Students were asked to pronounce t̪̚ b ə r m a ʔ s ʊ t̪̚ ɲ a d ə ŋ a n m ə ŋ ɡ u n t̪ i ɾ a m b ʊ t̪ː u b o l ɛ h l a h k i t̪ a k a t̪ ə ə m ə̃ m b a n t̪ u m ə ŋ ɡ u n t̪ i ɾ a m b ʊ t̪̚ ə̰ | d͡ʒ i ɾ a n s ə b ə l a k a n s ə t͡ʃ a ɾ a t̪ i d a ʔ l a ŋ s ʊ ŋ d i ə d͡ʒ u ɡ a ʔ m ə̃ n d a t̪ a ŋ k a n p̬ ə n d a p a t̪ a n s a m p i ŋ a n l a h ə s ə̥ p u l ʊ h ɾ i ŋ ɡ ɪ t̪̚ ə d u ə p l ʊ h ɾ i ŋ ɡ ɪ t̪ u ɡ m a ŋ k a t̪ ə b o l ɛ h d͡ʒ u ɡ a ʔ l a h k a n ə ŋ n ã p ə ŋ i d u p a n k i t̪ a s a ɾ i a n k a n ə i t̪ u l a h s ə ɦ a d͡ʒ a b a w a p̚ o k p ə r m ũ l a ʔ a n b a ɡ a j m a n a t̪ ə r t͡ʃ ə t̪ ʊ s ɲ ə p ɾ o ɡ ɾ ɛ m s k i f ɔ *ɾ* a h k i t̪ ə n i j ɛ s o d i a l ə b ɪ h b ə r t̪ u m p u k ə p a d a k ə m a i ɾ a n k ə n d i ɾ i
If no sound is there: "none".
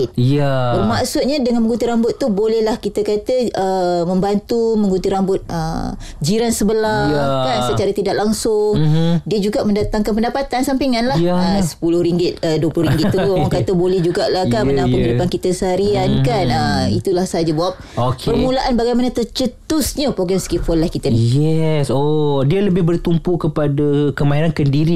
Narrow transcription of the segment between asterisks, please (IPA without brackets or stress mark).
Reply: l